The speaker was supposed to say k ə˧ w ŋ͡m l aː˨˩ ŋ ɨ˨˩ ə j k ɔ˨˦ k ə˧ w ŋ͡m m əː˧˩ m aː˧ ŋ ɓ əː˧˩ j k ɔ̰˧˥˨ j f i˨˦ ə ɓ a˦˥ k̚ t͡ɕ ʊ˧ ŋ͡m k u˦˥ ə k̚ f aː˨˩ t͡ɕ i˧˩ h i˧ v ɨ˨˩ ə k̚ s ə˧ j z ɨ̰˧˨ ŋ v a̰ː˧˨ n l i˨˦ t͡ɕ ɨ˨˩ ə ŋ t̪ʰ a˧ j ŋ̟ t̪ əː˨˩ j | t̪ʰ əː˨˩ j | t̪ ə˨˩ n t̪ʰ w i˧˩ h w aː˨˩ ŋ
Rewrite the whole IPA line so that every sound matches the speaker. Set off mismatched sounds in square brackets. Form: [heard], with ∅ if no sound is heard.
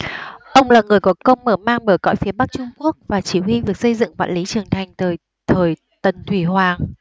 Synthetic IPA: [ʔ] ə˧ w ŋ͡m l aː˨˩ ŋ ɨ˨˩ ə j k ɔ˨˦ k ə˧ w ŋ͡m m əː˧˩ m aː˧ ŋ ɓ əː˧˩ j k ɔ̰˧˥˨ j f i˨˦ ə ɓ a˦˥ k̚ t͡ɕ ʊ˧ ŋ͡m k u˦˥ ə k̚ [v] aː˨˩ t͡ɕ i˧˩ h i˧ v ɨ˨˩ ə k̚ s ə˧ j z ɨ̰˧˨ ŋ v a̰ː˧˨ n l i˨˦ t͡ɕ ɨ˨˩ ə ŋ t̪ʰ [a˨˩] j ŋ̟ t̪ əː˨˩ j | t̪ʰ əː˨˩ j | t̪ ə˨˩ n t̪ʰ w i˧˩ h w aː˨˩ ŋ